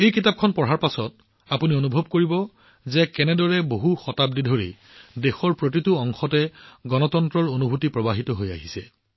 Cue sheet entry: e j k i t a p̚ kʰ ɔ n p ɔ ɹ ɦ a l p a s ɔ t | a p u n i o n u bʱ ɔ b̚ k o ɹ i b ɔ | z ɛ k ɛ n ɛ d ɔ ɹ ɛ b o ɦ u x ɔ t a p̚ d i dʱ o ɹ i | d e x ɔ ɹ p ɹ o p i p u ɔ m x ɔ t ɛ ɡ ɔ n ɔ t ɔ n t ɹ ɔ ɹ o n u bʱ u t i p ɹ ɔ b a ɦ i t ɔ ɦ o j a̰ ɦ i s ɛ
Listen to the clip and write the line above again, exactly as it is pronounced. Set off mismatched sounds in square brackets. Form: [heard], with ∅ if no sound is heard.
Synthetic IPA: e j k i t a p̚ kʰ ɔ n p ɔ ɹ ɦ a [ɹ] p a s ɔ t | a p u n i o n u bʱ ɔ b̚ k o ɹ i b ɔ | z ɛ k ɛ n ɛ d ɔ ɹ ɛ b o ɦ u x ɔ t a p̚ d i dʱ o ɹ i | d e x ɔ ɹ p ɹ o [t] i [t] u ɔ [ŋ] x ɔ t ɛ ɡ ɔ n ɔ t ɔ n t ɹ ɔ ɹ o n u bʱ u t i p ɹ ɔ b a ɦ i t ɔ ɦ o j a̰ ɦ i s ɛ